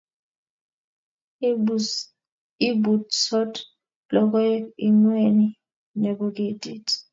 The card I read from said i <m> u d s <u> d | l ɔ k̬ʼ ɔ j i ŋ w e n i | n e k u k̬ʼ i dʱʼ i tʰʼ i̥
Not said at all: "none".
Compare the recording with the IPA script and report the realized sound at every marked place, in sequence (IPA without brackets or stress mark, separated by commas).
b, ɔ